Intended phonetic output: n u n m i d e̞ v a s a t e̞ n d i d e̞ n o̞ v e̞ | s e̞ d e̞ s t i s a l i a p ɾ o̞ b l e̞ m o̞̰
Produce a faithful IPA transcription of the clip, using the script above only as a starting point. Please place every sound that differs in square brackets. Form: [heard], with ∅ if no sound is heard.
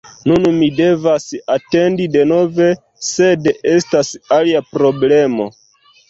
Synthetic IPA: n u n m i d e̞ v a s a t e̞ n d i d e̞ n o̞ v e̞ | s e̞ d e̞ s t [a] s a l i a p ɾ o̞ b l e̞ m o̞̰